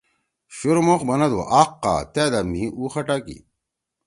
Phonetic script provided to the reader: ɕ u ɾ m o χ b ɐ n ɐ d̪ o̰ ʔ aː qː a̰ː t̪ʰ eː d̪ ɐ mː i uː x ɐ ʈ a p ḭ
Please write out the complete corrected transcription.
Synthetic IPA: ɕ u ɾ m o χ b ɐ n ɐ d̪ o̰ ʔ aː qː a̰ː t̪ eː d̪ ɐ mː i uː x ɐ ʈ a k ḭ